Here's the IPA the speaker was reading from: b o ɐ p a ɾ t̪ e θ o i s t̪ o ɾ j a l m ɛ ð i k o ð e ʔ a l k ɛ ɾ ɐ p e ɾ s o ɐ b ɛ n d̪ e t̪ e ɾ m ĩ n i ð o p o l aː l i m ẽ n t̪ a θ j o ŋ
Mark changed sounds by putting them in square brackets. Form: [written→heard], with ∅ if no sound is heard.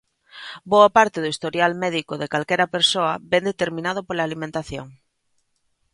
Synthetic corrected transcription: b o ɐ p a ɾ t̪ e [θ→ð] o i s t̪ o ɾ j a l m ɛ ð i k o ð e [ʔ→k] a l k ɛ ɾ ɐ p e ɾ s o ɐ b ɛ n d̪ e t̪ e ɾ m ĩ n [i→a] ð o p o l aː l i m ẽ n t̪ a θ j o ŋ